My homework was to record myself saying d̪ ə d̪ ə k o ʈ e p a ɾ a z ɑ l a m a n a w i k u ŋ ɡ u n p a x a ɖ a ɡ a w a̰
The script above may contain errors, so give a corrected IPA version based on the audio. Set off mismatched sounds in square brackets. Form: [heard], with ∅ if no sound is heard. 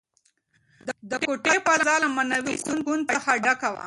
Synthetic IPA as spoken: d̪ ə d̪ ə k o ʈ e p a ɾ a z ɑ l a m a n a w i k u [n] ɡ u n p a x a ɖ a [k] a w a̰